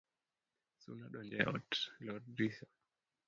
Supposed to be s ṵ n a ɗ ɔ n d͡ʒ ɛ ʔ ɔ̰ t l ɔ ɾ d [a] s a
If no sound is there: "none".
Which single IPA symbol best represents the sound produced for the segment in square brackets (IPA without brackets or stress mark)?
i